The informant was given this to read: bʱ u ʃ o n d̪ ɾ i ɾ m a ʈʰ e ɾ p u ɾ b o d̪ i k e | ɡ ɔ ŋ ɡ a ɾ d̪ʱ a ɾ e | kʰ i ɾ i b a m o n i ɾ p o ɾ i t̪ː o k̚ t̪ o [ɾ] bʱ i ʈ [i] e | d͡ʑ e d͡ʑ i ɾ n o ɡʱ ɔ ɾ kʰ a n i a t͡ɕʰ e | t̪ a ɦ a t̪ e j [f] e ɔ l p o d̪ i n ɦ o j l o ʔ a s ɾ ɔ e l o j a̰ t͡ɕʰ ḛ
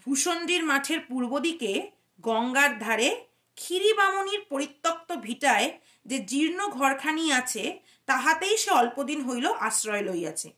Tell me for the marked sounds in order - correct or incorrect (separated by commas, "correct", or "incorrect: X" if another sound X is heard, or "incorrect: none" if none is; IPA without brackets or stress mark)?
incorrect: none, incorrect: a, incorrect: ʃ